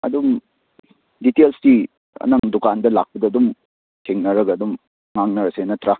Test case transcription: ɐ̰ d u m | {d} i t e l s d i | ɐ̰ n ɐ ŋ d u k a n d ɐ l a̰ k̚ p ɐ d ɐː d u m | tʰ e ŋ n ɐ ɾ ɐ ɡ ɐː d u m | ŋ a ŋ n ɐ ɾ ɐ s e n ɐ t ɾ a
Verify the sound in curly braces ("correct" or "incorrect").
correct